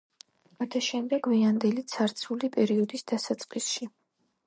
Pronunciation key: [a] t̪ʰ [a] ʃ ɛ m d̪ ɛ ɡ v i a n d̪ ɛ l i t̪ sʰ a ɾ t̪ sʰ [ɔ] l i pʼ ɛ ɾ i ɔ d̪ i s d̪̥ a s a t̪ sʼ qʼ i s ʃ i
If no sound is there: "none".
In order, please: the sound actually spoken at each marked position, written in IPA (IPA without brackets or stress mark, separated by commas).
a, a, u